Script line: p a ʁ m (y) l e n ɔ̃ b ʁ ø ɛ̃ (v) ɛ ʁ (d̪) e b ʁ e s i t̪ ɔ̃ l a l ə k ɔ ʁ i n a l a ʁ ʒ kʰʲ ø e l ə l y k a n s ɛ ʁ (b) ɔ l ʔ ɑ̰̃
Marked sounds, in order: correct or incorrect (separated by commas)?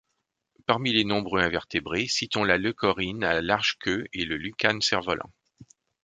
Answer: incorrect, correct, incorrect, incorrect